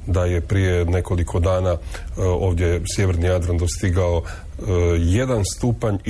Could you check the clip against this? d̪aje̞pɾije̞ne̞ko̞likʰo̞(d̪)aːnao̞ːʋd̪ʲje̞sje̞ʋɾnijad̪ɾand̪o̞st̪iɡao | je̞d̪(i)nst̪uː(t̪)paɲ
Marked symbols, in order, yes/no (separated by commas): yes, no, no